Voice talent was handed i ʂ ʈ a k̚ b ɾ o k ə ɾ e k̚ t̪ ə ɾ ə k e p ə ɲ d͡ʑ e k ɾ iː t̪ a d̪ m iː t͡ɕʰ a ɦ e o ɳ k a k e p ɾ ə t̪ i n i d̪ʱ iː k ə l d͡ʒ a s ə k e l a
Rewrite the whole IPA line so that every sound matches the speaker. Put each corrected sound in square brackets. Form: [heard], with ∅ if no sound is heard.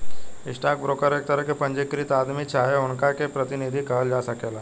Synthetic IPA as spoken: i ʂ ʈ a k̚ b ɾ o k ə ɾ e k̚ t̪ ə ɾ ə k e p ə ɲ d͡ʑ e k ɾ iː t̪ a d̪ m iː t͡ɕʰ a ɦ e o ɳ k a k e p ɾ ə t̪ i n i d̪ʱ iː k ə l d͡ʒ a s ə k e l a